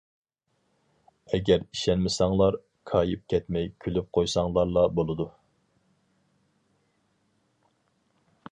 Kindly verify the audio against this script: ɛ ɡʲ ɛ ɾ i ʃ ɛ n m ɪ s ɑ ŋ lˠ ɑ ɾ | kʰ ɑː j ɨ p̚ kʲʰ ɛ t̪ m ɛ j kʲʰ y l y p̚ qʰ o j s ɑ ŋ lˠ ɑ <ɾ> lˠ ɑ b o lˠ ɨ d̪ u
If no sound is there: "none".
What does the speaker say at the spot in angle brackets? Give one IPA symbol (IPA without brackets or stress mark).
ɾ